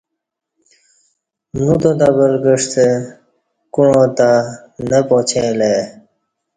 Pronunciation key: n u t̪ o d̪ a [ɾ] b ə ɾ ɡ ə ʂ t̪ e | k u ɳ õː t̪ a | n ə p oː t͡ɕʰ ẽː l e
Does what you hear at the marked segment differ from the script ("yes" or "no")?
yes